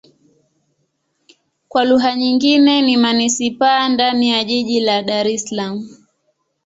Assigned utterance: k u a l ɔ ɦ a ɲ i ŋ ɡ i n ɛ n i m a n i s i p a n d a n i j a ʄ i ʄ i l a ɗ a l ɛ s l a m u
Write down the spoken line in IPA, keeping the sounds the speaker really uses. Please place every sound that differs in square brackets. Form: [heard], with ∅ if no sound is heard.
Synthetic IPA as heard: k [w] a l [u] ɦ a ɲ i ŋ ɡ i n ɛ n i m a n i s i p a n d a n i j a ʄ i ʄ i l a ɗ a [ɾ] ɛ s l a m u